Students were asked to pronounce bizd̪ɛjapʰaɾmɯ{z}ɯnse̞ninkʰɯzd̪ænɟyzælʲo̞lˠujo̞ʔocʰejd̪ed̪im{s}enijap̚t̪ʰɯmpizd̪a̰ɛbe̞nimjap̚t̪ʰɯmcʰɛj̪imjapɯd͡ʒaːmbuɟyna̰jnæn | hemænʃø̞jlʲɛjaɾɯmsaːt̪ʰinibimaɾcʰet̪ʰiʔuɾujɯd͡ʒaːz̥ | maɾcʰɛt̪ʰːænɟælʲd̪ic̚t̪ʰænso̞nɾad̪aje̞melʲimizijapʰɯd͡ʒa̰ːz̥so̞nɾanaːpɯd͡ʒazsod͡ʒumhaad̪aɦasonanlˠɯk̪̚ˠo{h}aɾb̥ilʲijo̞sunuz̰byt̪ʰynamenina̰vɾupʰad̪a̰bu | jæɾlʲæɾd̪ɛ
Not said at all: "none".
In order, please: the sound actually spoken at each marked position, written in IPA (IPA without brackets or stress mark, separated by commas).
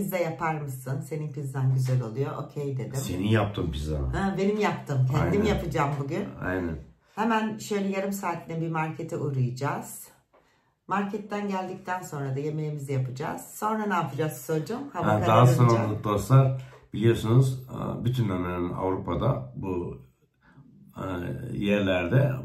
s, s, s